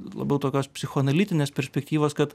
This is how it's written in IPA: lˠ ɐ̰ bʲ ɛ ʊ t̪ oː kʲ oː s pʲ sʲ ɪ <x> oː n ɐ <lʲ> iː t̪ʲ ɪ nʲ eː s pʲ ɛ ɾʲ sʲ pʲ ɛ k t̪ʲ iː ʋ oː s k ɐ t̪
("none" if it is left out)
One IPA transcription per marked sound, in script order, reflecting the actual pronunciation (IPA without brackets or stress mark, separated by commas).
x, lʲ